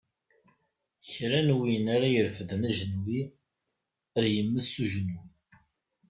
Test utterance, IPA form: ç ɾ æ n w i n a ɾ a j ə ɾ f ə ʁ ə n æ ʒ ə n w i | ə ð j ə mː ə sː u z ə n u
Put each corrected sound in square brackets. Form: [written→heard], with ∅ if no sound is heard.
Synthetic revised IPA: ç ɾ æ n w i n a ɾ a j ə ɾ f ə [ʁ→ð] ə n æ ʒ ə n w i | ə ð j ə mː ə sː u [z→ʒ] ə n u

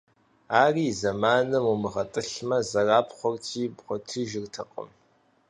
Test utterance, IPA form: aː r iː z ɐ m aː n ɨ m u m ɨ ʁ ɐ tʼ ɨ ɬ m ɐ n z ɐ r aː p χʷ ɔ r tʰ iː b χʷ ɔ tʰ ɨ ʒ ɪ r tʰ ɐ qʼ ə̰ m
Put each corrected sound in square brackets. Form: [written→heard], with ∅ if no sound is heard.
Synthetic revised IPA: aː r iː z ɐ m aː n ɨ m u m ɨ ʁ ɐ tʼ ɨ ɬ m ɐ [n→∅] z ɐ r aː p χʷ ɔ r tʰ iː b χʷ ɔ tʰ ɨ ʒ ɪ r tʰ ɐ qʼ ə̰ m

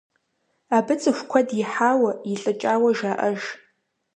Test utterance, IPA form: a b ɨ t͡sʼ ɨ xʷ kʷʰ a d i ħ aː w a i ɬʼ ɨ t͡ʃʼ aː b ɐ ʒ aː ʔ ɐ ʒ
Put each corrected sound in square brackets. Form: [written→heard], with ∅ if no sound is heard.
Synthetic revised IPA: a b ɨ t͡sʼ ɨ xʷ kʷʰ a d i ħ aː w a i ɬʼ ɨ t͡ʃʼ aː [b→w] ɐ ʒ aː ʔ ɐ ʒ

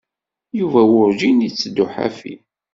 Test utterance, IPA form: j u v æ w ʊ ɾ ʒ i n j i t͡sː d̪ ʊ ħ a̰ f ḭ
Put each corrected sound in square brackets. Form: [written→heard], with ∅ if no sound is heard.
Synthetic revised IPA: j u v æ w ʊ ɾ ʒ i n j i t͡sː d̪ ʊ ħ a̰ f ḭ

